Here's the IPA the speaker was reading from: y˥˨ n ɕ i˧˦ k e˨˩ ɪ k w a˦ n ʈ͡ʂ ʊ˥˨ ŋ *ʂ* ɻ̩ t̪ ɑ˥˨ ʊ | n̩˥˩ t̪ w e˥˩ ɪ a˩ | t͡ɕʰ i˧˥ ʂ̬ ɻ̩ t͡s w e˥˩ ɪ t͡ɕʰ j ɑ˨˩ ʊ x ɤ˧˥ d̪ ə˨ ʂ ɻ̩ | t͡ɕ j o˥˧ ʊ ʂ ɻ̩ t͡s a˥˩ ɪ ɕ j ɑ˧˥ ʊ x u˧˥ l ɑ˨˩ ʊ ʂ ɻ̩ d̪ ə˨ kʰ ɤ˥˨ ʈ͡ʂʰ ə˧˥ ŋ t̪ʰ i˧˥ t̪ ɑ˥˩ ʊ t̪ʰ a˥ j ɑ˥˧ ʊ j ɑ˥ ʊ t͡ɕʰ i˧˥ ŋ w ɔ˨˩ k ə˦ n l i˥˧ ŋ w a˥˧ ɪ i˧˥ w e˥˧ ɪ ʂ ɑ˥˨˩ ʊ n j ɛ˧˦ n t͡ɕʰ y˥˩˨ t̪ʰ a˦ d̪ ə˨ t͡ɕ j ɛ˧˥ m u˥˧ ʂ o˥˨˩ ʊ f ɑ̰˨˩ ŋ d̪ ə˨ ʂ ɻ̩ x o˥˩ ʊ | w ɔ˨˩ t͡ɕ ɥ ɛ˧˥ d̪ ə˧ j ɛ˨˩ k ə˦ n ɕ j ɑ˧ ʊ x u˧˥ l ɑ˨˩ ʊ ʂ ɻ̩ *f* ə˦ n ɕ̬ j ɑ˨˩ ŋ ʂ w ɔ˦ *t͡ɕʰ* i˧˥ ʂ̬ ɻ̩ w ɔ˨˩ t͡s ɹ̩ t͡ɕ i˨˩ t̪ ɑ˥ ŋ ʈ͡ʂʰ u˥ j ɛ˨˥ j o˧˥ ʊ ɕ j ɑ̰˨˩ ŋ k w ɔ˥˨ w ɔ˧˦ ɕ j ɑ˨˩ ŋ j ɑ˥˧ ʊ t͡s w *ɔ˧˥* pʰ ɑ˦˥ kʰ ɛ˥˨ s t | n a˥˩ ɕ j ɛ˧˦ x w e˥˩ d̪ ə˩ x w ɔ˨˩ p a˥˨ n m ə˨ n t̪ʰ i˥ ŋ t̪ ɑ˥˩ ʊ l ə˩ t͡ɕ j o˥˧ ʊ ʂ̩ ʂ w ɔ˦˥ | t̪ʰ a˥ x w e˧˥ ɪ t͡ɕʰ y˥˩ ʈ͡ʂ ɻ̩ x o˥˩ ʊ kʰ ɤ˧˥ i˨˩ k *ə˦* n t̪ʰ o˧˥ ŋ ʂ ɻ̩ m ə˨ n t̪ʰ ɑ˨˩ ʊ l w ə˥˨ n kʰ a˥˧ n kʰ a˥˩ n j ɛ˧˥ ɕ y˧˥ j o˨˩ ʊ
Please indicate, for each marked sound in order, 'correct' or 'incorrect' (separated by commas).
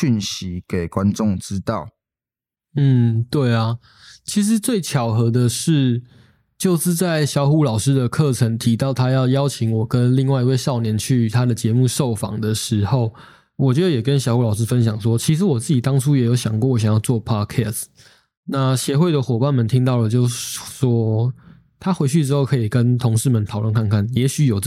incorrect, correct, correct, incorrect, correct